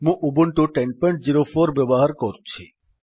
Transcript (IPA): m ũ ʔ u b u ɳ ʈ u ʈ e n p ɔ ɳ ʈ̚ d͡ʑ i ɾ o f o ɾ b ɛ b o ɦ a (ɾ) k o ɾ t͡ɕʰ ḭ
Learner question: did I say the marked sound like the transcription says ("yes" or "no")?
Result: yes